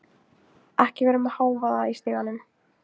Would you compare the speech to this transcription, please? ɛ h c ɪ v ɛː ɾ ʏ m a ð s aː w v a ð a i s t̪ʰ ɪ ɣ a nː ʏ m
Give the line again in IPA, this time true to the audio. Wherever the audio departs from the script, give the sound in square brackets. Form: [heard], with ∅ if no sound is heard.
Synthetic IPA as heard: ɛ h c ɪ v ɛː ɾ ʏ m a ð [h] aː w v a ð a i s [t̪] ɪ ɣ a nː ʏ m